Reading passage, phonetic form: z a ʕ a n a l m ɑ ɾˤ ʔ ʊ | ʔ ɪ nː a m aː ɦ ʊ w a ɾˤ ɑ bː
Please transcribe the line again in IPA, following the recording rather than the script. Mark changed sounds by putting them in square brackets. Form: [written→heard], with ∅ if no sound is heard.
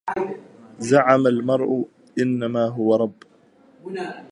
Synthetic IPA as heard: z a ʕ a [n→m] a l m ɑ ɾˤ ʔ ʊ | ʔ ɪ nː a m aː ɦ ʊ w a ɾˤ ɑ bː